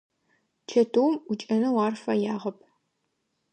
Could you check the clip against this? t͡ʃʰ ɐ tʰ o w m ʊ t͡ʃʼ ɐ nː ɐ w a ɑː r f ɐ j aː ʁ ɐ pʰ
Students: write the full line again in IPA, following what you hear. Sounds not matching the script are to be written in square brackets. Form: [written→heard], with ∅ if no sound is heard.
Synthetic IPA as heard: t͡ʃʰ ɐ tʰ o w m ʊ t͡ʃʼ ɐ [nː→n] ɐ w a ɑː r f ɐ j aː ʁ ɐ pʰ